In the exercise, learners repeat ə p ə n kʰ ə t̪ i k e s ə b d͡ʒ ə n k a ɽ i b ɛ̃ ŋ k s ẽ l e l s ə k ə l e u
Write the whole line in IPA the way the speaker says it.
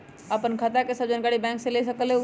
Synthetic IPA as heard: ə p ə n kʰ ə t̪ a k e s ə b d͡ʒ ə n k a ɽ i b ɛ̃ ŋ k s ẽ l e s ə k ə l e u